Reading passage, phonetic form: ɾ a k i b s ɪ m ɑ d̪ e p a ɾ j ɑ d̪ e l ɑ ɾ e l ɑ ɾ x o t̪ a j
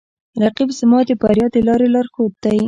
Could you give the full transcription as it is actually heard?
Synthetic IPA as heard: ɾ a q i b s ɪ m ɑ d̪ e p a ɾ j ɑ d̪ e l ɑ ɾ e l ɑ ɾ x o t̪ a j